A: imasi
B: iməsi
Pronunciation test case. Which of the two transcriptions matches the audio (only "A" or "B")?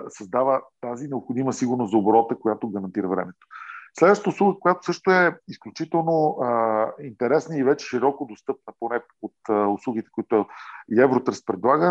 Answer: B